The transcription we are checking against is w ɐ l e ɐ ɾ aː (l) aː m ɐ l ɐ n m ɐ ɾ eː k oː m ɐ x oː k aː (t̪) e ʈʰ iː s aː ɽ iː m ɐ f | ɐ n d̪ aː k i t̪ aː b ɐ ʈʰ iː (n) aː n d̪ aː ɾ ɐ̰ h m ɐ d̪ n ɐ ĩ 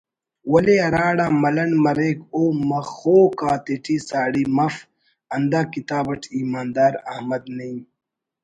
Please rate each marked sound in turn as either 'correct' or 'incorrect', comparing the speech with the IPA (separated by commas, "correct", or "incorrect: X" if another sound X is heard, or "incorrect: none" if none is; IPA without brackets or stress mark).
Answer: incorrect: ɽ, correct, incorrect: m